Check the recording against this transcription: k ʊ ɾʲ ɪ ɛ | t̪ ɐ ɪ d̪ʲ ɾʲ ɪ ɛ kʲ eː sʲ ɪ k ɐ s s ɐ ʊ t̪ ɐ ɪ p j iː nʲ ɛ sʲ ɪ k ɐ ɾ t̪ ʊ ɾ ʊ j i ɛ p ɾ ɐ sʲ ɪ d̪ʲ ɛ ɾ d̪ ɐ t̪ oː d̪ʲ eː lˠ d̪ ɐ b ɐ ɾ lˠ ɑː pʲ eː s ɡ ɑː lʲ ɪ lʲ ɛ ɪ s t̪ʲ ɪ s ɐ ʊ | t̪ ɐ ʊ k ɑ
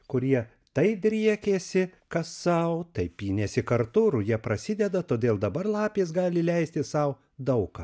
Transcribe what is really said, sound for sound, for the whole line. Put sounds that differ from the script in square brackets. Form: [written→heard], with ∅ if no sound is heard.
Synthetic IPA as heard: k ʊ ɾʲ [ɪ→i] ɛ | t̪ ɐ ɪ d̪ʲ ɾʲ [ɪ→i] ɛ kʲ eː sʲ ɪ k ɐ s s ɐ ʊ t̪ ɐ ɪ p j iː nʲ ɛ sʲ ɪ k ɐ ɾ t̪ ʊ ɾ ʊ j i ɛ p ɾ ɐ sʲ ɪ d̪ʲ ɛ [ɾ→∅] d̪ ɐ t̪ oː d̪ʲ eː lˠ d̪ ɐ b ɐ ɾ lˠ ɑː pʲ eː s ɡ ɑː lʲ ɪ lʲ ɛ ɪ s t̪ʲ ɪ s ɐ ʊ | [t̪→d̪] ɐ ʊ k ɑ